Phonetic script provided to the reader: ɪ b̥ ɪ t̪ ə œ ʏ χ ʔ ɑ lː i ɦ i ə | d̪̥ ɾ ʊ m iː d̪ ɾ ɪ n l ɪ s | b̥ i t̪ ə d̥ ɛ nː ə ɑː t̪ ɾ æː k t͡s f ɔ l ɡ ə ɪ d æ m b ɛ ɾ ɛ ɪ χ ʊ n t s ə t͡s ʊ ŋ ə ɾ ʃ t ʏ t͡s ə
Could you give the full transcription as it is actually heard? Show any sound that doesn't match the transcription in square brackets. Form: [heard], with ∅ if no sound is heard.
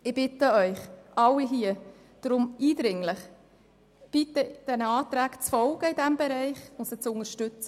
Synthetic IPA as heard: ɪ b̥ ɪ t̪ ə œ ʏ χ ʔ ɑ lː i ɦ i ə | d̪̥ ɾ ʊ m iː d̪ ɾ ɪ [ŋ] l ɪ [χ] | b̥ i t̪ ə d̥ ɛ [n] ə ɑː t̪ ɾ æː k t͡s f ɔ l ɡ ə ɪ d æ m b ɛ ɾ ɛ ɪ χ ʊ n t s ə t͡s ʊ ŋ ə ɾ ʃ t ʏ t͡s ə